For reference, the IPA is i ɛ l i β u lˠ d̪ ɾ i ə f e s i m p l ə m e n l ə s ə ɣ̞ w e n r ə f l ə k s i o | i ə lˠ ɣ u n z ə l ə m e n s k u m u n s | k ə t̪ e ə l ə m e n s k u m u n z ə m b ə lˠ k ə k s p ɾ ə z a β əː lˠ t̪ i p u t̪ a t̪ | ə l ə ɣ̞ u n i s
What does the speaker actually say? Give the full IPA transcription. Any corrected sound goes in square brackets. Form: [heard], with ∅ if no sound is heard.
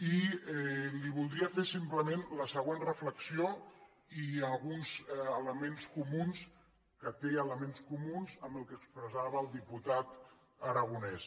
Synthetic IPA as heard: i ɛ l i β u lˠ d̪ ɾ i ə f e s i m p l ə m e n l ə s ə ɣ̞ w e n r ə f l ə k s i o | i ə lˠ ɣ u n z ə l ə m e n s k u m u n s | k ə t̪ e ə l ə m e n s k u m u n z ə m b ə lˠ k ə k s p ɾ ə z a β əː lˠ [d̪] i p u t̪ a t̪ | ə [ɾ] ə ɣ̞ u n [ɛ] s